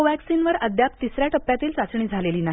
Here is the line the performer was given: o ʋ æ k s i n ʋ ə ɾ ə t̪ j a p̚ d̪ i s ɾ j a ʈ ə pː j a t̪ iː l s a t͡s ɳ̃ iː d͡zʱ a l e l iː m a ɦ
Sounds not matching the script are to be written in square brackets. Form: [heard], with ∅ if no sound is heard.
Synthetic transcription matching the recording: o ʋ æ k s i n ʋ ə ɾ ə [d̪] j a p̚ [t̪] i s ɾ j a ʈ ə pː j a t̪ iː l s a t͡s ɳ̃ iː d͡zʱ a l e l iː [n] a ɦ

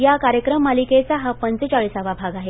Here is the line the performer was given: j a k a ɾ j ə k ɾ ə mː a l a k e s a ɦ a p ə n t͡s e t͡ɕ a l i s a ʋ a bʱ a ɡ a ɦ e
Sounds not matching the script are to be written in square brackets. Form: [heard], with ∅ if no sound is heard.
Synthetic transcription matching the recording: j a k a ɾ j ə k ɾ ə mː a l [i] k e [t͡s] a ɦ a p ə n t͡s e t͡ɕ a [ɭ] i s a ʋ a bʱ a ɡ a ɦ e

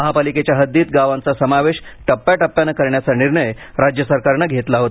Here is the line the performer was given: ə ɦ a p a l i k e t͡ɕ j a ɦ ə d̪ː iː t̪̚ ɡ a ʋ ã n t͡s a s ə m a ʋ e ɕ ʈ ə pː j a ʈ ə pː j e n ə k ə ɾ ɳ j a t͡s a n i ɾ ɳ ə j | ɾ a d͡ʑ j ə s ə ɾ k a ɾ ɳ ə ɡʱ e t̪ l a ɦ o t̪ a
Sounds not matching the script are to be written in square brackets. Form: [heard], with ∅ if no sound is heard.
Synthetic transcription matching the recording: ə ɦ a p a l i k e t͡ɕ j a ɦ ə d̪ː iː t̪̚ ɡ a ʋ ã n t͡s a s ə m a ʋ e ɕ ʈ ə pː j a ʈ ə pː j [a] n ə k ə ɾ ɳ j a t͡s a n i ɾ ɳ ə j | ɾ a d͡ʑ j ə s ə ɾ k a ɾ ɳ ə ɡʱ e t̪ l a ɦ o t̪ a

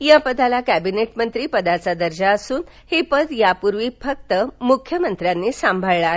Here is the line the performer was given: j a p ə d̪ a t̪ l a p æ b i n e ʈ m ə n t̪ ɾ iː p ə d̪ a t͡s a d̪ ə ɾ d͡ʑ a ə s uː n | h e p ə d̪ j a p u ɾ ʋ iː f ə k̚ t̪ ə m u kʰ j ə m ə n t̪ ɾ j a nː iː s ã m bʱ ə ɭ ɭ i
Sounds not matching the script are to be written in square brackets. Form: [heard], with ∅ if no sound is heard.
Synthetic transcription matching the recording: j a p ə d̪ a [∅] l a [k] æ b i n e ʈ m ə n t̪ ɾ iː p ə d̪ a t͡s a d̪ ə ɾ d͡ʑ a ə s uː n | h e p ə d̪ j a p u ɾ ʋ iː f ə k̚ t̪ ə m u kʰ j ə m ə n t̪ ɾ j a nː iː s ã m bʱ ə ɭ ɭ [a]

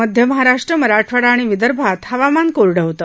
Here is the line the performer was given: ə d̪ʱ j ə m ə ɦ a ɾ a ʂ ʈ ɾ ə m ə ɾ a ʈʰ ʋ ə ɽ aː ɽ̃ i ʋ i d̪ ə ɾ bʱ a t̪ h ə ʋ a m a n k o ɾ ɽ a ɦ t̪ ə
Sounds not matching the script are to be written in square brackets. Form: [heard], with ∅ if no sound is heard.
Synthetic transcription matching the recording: ə d̪ʱ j ə m ə ɦ a ɾ a ʂ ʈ ɾ ə m ə ɾ a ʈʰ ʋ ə ɽ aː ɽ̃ i ʋ i d̪ ə ɾ bʱ a t̪ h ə ʋ a m a n k o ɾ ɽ [ə] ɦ t̪ ə

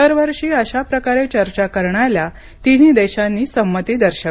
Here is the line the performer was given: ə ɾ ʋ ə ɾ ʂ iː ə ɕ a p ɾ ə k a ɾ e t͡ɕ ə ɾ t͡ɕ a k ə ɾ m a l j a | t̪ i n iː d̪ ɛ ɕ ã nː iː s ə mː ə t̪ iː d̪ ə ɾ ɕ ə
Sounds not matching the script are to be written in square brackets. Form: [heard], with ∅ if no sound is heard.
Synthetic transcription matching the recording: ə ɾ ʋ ə ɾ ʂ iː ə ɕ a p ɾ ə k a ɾ e t͡ɕ ə ɾ t͡ɕ a k ə ɾ [ɳ] a l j a | t̪ i n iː d̪ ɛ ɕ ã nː iː s ə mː ə t̪ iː d̪ ə ɾ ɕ ə

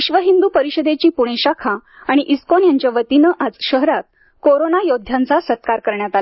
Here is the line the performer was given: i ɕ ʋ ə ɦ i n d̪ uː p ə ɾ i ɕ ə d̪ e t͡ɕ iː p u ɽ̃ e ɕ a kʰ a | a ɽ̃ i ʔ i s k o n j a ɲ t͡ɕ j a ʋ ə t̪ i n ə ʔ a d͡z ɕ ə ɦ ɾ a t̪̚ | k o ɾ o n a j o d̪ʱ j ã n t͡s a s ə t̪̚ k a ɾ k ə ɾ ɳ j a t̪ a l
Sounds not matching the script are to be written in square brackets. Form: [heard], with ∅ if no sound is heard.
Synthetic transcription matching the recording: i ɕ ʋ ə ɦ i n d̪ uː p ə ɾ i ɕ ə d̪ e t͡ɕ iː p u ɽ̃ e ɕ a kʰ a | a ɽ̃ i ʔ i s k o n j a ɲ t͡ɕ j a ʋ ə t̪ i n ə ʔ a d͡z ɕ ə ɦ ɾ a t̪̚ | k o ɾ o n a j o d̪ʱ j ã n t͡s a s ə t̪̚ k a ɾ k ə ɾ ɳ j a t̪ a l

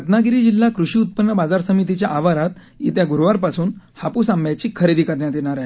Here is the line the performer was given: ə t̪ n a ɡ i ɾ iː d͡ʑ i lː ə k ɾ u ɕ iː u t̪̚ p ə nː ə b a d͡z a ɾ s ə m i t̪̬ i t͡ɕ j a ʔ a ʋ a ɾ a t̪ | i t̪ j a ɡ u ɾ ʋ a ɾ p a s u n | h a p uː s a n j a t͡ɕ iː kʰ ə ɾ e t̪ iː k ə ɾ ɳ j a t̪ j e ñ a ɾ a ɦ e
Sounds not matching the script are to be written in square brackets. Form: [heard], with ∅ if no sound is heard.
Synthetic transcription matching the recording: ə t̪ n a ɡ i ɾ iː d͡ʑ i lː [a] k ɾ u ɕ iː u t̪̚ p ə nː ə b a d͡z a ɾ s ə m i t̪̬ i t͡ɕ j a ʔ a ʋ a ɾ a t̪ | i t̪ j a ɡ u ɾ ʋ a ɾ p a s [uː] n | h a p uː s a [m] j a t͡ɕ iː kʰ ə ɾ e [d̪] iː k ə ɾ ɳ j a t̪ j e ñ a ɾ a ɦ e

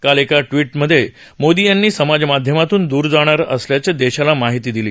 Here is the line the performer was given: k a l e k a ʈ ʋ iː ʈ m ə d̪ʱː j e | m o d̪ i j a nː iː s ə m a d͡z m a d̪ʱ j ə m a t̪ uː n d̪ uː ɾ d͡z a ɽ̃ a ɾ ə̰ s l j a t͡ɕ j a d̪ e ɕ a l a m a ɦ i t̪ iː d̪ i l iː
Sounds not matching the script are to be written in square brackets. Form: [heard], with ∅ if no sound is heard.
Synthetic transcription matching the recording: k a l e k a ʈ ʋ iː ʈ m ə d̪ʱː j e | m o d̪ i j a nː iː s ə m a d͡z m a d̪ʱ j ə m a t̪ uː n d̪ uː ɾ d͡z a ɽ̃ a ɾ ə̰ s l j a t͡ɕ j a d̪ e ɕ a l a m a ɦ i t̪ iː d̪ i l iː

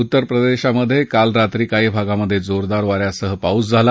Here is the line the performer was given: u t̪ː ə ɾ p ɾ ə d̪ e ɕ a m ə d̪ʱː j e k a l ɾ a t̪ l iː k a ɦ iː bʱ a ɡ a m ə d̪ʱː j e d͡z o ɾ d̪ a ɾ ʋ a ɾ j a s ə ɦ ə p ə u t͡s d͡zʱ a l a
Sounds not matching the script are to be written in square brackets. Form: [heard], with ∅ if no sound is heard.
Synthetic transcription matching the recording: u t̪ː ə ɾ p ɾ ə d̪ e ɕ a m ə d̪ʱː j e k a l ɾ a t̪ [ɾ] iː k a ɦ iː bʱ a ɡ a m ə d̪ʱː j e d͡z o ɾ d̪ a ɾ ʋ a ɾ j a s ə ɦ ə p [a] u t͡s d͡zʱ a l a

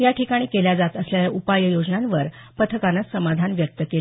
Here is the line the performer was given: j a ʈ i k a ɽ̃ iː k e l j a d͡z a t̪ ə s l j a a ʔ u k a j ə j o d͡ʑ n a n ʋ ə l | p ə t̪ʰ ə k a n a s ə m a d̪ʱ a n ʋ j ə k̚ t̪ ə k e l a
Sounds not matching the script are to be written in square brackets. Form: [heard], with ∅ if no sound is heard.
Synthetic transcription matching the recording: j a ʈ i k a ɽ̃ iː k e l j a d͡z a t̪ ə s l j a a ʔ u [p] a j ə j o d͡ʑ n a n ʋ ə [ɾ] | p ə t̪ʰ ə k a n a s ə m a d̪ʱ a n ʋ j ə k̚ t̪ ə k e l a

